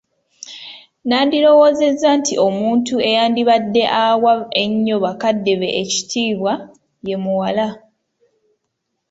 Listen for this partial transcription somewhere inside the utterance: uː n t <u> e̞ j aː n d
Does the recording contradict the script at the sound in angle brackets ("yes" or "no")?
no